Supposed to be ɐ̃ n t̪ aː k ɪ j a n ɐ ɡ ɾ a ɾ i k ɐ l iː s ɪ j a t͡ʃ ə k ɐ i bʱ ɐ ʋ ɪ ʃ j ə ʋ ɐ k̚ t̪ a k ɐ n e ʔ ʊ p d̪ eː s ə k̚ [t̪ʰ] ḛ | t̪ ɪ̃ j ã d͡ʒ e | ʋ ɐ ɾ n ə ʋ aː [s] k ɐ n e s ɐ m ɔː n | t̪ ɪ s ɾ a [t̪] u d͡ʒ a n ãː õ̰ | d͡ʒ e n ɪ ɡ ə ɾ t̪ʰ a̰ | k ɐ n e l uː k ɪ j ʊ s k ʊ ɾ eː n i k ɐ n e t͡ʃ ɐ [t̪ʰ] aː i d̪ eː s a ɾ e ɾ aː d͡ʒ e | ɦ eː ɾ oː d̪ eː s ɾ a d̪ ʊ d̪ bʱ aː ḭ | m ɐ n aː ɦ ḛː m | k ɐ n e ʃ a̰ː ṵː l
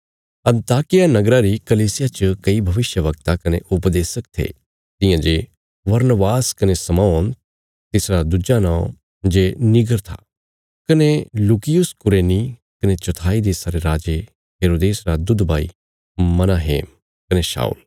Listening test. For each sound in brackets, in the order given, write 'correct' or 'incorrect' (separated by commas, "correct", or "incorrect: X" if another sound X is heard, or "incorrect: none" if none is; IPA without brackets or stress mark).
correct, correct, incorrect: d̪, correct